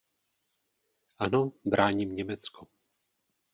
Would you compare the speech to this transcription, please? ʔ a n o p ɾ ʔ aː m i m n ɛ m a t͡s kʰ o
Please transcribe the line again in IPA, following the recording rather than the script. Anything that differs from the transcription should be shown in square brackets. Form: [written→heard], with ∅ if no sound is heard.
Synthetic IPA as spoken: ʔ a n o [p→b] ɾ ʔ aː [m→ɲ] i m [n→ɲ] ɛ m [a→ɛ] t͡s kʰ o